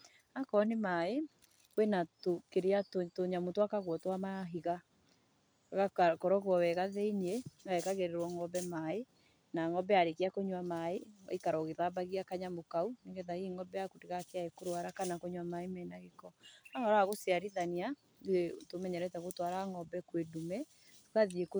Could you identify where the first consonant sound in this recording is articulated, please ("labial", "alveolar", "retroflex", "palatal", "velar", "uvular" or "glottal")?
velar